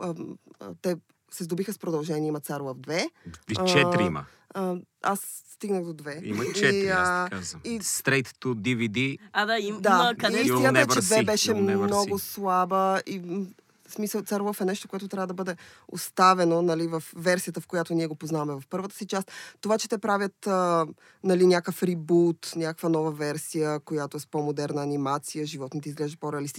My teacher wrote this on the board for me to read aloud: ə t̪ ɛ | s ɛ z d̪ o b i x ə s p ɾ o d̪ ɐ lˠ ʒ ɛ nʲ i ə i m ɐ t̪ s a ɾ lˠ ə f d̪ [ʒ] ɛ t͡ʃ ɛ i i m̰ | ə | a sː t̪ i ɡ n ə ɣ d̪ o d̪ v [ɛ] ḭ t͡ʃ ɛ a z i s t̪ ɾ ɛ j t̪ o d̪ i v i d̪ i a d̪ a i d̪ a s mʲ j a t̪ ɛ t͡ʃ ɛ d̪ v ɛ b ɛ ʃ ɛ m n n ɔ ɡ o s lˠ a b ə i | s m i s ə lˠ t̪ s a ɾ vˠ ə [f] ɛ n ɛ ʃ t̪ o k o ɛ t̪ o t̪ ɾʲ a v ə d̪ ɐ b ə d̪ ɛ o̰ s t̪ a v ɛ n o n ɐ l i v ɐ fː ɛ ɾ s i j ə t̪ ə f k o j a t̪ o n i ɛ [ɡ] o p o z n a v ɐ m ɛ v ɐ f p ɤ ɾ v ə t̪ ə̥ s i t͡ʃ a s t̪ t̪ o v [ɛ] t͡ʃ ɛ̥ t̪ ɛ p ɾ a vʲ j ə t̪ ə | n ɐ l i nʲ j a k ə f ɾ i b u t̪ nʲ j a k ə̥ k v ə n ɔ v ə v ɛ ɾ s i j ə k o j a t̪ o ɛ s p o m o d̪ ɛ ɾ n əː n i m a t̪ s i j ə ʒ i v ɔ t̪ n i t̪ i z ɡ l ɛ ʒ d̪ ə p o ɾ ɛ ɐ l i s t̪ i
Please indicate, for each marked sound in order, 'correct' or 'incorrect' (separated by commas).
incorrect, correct, correct, correct, incorrect